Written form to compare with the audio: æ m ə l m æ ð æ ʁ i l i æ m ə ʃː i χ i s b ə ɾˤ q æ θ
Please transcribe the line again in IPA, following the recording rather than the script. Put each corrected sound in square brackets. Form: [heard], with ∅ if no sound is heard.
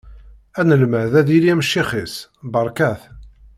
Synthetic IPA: æ [n] ə l m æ ð æ [ð] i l i æ m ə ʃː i χ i s b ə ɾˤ [k] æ θ